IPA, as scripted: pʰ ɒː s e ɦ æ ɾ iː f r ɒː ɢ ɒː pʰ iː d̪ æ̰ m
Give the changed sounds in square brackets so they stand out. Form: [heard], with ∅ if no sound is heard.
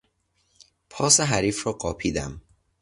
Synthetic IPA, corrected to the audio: pʰ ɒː s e ɦ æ ɾ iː f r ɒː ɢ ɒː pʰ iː d̪ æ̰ m